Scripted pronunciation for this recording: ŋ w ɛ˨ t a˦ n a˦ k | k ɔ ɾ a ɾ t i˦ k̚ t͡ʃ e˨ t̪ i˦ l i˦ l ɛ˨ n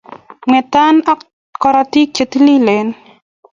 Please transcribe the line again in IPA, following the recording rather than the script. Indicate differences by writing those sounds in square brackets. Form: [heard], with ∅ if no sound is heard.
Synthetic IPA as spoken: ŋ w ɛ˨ t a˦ n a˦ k | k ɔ ɾ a [∅] t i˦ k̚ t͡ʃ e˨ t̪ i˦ l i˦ l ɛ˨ n